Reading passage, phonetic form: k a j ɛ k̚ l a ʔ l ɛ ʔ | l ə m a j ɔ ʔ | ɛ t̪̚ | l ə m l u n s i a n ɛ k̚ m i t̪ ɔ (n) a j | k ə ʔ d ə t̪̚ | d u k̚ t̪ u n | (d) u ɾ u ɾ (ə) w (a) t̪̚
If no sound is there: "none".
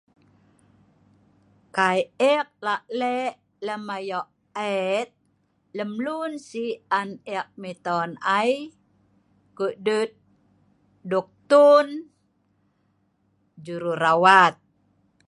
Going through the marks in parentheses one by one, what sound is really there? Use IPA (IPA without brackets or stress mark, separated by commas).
n, d͡ʒ, a, a